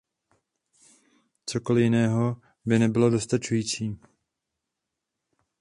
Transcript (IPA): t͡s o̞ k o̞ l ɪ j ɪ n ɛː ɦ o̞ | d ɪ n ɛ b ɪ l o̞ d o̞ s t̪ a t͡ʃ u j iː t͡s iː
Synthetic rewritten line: t͡s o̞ k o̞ l ɪ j ɪ n ɛː ɦ o̞ | b ɪ n ɛ b ɪ l o̞ d o̞ s t̪ a t͡ʃ u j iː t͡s iː